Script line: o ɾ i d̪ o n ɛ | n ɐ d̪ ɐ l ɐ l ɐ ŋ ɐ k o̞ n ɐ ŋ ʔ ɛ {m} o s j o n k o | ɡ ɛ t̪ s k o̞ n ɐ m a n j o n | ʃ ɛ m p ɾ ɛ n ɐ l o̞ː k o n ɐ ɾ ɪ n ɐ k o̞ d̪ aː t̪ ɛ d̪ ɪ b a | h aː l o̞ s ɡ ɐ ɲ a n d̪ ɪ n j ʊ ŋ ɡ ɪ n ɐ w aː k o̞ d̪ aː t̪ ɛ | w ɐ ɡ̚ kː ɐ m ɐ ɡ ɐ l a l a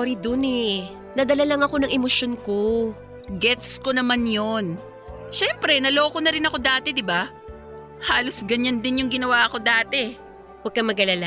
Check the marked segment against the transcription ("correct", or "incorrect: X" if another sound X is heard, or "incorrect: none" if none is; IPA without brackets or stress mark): correct